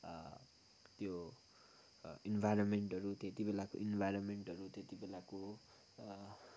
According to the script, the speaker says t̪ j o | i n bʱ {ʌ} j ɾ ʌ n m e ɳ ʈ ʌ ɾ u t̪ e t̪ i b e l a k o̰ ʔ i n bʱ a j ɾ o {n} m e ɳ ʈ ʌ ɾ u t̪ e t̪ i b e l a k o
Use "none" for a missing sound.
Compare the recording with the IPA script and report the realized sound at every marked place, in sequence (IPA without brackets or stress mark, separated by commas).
a, n